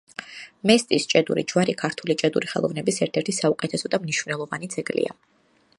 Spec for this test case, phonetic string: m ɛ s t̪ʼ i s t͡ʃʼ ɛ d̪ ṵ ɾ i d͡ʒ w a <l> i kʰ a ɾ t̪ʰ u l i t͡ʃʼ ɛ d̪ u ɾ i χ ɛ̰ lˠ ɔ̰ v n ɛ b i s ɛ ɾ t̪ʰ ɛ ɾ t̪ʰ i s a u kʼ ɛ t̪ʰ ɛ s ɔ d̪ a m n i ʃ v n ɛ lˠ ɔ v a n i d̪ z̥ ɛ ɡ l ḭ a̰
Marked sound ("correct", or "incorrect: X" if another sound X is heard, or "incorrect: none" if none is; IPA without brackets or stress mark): incorrect: ɾ